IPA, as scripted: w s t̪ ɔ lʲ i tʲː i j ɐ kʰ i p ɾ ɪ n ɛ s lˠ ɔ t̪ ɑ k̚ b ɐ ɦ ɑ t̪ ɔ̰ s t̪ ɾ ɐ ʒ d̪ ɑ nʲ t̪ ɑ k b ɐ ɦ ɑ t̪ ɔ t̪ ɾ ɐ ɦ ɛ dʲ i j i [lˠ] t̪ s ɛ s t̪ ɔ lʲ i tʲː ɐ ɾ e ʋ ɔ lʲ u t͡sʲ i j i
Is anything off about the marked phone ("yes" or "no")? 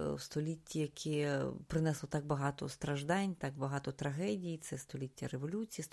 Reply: yes